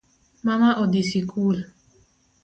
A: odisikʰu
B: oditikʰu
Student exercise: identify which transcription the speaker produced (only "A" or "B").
A